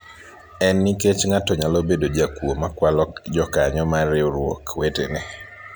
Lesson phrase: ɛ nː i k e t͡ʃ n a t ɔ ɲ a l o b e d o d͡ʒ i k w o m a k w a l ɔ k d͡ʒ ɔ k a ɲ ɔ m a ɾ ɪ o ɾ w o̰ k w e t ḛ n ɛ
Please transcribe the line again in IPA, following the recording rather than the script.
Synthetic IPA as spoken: ɛ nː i k e t͡ʃ ŋ a t ɔ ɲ a l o b e d o d͡ʒ a k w o m a k w a l ɔ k d͡ʒ ɔ k a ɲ ɔ m a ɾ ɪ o ɾ w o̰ k w e t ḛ n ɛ